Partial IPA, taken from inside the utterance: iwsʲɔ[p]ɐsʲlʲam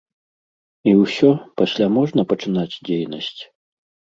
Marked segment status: correct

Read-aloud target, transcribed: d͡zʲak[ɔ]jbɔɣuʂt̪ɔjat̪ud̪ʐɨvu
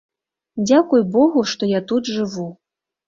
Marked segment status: incorrect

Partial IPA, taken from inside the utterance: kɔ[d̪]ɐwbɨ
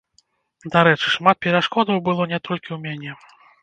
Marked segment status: correct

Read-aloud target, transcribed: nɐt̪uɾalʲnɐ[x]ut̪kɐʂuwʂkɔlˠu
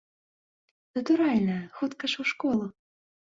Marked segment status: correct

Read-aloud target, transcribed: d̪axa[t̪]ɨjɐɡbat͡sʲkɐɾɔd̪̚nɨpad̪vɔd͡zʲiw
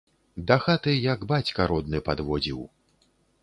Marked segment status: correct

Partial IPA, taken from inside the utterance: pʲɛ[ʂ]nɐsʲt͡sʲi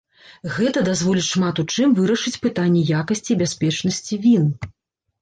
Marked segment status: incorrect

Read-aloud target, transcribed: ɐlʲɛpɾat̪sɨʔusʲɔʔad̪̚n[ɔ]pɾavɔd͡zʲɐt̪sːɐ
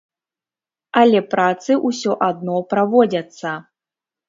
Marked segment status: correct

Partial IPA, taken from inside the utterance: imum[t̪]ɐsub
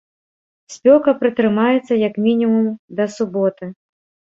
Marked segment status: incorrect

